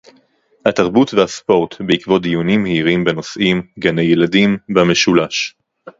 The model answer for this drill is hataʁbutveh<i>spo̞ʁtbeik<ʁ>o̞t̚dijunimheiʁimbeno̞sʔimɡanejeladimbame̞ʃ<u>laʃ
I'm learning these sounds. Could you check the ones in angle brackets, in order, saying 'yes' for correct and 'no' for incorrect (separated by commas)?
no, no, yes